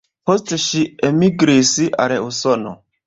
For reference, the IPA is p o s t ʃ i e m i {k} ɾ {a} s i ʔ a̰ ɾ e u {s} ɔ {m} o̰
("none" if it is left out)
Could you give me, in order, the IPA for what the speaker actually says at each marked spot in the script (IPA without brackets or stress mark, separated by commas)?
ɡ, i, s, n